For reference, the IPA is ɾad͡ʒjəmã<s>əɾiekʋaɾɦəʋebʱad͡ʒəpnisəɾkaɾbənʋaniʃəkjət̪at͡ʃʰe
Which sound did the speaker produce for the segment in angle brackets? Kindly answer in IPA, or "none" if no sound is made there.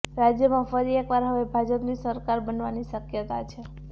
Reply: f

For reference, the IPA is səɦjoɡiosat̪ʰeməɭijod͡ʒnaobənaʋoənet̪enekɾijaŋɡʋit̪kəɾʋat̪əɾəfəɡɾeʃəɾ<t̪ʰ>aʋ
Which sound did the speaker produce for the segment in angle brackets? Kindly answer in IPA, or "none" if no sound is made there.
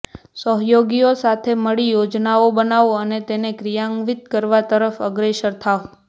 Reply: t̪ʰ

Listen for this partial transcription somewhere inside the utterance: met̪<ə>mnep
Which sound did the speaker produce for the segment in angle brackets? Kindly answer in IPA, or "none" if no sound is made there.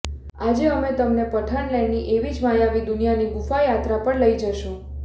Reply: ə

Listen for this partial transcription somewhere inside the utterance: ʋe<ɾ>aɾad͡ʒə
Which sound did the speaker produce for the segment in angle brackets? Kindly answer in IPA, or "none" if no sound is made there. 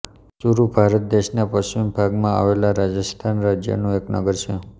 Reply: l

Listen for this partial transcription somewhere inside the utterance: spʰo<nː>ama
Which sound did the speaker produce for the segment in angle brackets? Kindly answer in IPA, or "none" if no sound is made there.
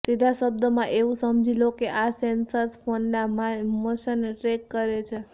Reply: nː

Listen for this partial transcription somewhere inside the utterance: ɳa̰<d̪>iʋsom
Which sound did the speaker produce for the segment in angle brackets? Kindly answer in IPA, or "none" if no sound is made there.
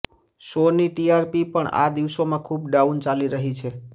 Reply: d̪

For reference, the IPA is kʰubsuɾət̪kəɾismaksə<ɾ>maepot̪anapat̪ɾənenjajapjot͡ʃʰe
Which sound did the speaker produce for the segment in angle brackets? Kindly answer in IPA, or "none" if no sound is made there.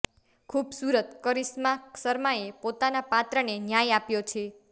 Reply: ɾ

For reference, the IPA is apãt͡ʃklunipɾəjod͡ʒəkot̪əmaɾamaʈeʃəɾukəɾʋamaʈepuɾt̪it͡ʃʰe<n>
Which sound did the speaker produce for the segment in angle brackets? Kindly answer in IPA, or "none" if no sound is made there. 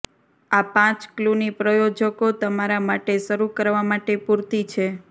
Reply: none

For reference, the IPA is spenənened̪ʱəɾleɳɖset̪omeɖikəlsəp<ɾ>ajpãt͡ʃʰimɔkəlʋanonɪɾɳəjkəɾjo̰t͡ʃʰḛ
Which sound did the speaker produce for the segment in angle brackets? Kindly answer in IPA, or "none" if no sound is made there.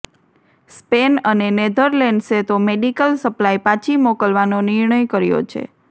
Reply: l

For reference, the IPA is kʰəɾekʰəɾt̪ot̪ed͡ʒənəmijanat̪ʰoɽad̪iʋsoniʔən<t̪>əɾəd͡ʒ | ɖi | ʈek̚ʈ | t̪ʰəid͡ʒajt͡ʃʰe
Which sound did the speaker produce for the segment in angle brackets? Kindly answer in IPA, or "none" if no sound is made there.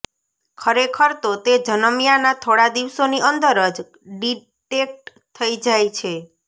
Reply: d̪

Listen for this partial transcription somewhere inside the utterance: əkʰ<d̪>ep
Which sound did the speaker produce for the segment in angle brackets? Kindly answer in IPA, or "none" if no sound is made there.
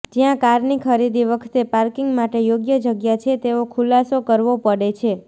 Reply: t̪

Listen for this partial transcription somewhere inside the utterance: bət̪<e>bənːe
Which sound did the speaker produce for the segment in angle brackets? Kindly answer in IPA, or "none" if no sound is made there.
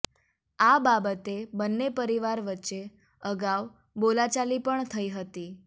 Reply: e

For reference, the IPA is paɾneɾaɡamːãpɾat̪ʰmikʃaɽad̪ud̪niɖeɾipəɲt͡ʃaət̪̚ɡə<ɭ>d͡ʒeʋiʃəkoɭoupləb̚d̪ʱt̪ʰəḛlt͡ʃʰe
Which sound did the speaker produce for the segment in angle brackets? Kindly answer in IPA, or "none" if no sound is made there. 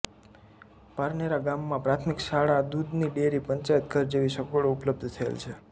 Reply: ɾ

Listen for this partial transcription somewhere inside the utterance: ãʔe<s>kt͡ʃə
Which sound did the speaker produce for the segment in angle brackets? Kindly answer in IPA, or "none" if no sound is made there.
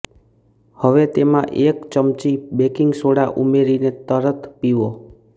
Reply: none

